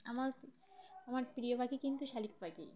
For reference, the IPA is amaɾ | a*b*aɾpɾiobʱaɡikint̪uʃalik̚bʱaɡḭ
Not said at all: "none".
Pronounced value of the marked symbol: m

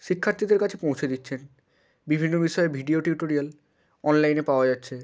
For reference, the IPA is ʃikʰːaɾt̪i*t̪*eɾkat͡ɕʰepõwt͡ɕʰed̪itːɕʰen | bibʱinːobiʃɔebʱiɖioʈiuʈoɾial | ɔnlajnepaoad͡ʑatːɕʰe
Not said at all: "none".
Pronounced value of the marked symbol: d̪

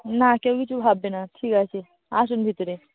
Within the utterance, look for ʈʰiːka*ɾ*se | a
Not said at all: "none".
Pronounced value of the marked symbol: none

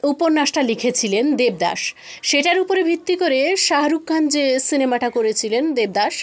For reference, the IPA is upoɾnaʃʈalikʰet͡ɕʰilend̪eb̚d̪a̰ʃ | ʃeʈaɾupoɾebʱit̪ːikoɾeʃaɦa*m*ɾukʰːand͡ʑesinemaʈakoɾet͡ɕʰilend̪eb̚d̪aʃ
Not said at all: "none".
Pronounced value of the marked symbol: none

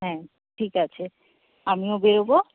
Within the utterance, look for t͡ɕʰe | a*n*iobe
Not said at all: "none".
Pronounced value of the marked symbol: m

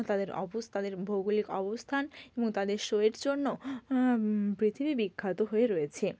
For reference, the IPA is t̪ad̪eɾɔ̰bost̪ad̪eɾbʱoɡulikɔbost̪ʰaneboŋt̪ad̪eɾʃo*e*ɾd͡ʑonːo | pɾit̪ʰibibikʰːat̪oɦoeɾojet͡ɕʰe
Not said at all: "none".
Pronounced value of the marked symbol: e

